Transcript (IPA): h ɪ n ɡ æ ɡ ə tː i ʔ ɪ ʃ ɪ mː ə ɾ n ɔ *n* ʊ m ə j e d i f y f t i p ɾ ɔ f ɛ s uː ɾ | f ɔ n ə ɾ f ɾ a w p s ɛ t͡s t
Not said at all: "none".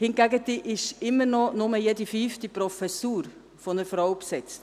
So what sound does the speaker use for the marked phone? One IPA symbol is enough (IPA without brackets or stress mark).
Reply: n